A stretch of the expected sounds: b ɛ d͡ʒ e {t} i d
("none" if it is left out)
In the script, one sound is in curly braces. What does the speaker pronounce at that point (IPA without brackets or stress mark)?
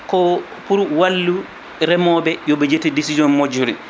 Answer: t